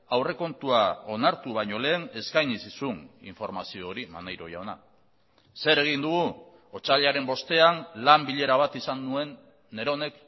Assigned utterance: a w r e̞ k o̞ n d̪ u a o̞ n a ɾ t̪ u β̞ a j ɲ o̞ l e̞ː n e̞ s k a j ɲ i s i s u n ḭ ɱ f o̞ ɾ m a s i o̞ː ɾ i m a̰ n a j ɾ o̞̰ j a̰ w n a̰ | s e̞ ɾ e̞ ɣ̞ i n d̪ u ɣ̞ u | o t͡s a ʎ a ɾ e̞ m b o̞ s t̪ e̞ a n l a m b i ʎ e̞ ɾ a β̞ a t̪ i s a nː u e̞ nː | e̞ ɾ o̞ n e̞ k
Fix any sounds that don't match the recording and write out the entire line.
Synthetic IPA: a w r e̞ k o̞ n t̪ u a o̞ n a ɾ t̪ u β̞ a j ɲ o̞ l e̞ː n e̞ s k a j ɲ i s i s u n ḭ ɱ f o̞ ɾ m a s i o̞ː ɾ i m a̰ n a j ɾ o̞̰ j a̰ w n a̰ | s e̞ ɾ e̞ ɣ̞ i n d̪ u ɣ̞ u | o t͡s a ʎ a ɾ e̞ m b o̞ s t̪ e̞ a n l a m b i ʎ e̞ ɾ a β̞ a t̪ i s a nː u e̞ nː | e̞ ɾ o̞ n e̞ k

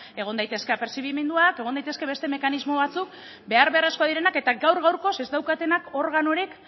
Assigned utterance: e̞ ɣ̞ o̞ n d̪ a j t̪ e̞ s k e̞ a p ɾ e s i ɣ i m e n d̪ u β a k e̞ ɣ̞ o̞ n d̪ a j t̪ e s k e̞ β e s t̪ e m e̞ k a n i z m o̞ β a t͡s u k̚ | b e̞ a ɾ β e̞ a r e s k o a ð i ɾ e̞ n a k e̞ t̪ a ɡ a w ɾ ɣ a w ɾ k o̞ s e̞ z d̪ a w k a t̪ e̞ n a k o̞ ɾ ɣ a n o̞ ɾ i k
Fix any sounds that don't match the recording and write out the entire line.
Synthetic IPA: e̞ ɣ̞ o̞ n d̪ a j t̪ e̞ s k e̞ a p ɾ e s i ɣ i m e n d̪ u a k e̞ ɣ̞ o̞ n d̪ a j t̪ e s k e̞ β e s t̪ e m e̞ k a n i z m o̞ β a t͡s u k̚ | b e̞ a ɾ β e̞ a r e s k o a ð i ɾ e̞ n a k e̞ t̪ a ɡ a w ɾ ɣ a w ɾ k o̞ s e̞ z d̪ a w k a t̪ e̞ n a k o̞ ɾ ɣ a n o̞ ɾ i k

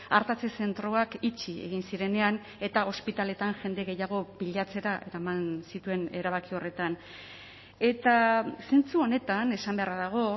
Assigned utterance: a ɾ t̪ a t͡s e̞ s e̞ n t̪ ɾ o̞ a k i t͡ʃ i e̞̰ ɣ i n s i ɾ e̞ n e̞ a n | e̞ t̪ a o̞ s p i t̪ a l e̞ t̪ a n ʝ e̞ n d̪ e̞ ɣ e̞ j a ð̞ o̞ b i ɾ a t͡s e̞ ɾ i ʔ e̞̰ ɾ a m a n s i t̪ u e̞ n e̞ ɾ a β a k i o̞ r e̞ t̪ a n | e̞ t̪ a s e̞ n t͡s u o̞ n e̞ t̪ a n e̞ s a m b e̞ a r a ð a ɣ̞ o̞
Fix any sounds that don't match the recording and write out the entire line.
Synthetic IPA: a ɾ t̪ a t͡s e̞ s e̞ n t̪ ɾ o̞ a k i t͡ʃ i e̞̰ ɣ i n s i ɾ e̞ n e̞ a n | e̞ t̪ a o̞ s p i t̪ a l e̞ t̪ a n ʝ e̞ n d̪ e̞ ɣ e̞ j a ɣ̞ o̞ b i ʎ a t͡s e̞ ɾ a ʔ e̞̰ ɾ a m a n s i t̪ u e̞ n e̞ ɾ a β a k i o̞ r e̞ t̪ a n | e̞ t̪ a s e̞ n t͡s u o̞ n e̞ t̪ a n e̞ s a m b e̞ a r a ð a ɣ̞ o̞

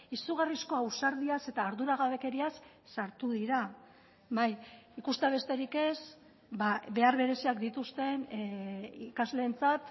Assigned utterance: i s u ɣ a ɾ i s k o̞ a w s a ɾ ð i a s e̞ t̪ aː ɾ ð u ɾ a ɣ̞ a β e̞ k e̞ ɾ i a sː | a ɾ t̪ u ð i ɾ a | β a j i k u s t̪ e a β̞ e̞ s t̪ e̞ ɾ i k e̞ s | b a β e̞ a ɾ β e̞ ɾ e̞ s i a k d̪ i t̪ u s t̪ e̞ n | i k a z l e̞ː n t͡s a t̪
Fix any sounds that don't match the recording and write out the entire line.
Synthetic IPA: i s u ɣ a r i s k o̞ a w s a ɾ ð i a s e̞ t̪ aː ɾ ð u ɾ a ɣ̞ a β e̞ k e̞ ɾ i a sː | a ɾ t̪ u ð i ɾ a | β a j i k u s t̪ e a β̞ e̞ s t̪ e̞ ɾ i k e̞ s | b a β e̞ a ɾ β e̞ ɾ e̞ s i a k d̪ i t̪ u s t̪ e̞ n | i k a z l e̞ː n t͡s a t̪

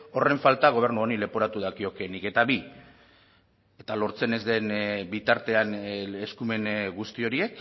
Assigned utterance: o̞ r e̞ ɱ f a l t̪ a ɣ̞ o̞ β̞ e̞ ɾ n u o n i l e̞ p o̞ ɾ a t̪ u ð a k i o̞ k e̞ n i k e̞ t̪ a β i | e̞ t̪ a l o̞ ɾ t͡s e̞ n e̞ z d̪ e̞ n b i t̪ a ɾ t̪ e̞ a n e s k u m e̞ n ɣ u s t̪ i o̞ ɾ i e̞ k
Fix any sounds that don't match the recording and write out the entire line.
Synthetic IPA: o̞ r e̞ ɱ f a l t̪ a ɣ̞ o̞ β̞ e̞ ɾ n u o n i l e̞ p o̞ ɾ a t̪ u ð a k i o̞ k e̞ n i k e̞ t̪ a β i | e̞ t̪ a l o̞ ɾ t͡s e̞ n e̞ z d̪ e̞ n b i t̪ a ɾ t̪ e̞ a n e s k u m e̞ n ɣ u s t̪ i o̞ ɾ i e̞ k

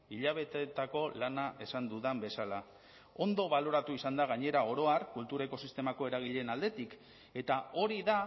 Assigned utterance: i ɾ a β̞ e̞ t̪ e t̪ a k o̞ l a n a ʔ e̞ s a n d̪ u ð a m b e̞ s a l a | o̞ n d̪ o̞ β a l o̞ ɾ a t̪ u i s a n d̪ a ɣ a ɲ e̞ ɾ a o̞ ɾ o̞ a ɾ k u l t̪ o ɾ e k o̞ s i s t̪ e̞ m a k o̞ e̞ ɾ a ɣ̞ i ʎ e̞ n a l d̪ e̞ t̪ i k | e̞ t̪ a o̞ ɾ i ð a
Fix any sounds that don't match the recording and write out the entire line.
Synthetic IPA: i ʎ a β̞ e̞ t̪ e t̪ a k o̞ l a n a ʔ e̞ s a n d̪ u ð a m b e̞ s a l a | o̞ n d̪ o̞ β a l o̞ ɾ a t̪ u i s a n d̪ a ɣ a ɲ e̞ ɾ a o̞ ɾ o̞ a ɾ k u l t̪ u ɾ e k o̞ s i s t̪ e̞ m a k o̞ e̞ ɾ a ɣ̞ i ʎ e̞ n a l d̪ e̞ t̪ i k | e̞ t̪ a o̞ ɾ i ð a

